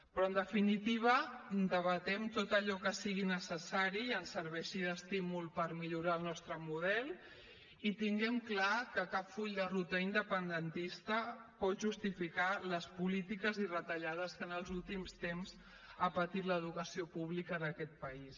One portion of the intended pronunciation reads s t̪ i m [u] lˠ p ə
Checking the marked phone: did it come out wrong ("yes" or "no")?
no